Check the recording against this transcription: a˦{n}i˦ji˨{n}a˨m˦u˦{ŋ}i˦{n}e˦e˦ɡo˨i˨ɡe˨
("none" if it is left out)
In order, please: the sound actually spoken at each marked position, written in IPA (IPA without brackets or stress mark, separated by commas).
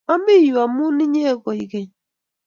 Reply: m, none, n, ɲ